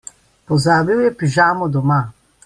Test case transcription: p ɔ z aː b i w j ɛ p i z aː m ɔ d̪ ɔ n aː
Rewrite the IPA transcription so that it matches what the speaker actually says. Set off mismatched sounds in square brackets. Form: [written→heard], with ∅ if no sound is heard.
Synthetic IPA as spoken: p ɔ z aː b i w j ɛ p i [z→ʒ] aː m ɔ d̪ ɔ [n→m] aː